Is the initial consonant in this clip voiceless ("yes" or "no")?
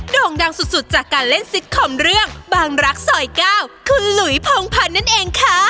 no